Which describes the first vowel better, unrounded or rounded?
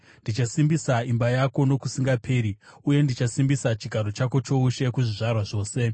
unrounded